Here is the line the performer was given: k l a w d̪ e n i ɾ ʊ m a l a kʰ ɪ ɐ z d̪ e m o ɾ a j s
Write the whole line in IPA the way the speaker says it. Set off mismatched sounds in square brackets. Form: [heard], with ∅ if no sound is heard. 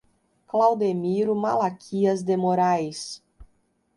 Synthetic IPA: k l a w d̪ e [m] i ɾ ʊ m a l a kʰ [i] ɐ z d̪ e m o ɾ a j s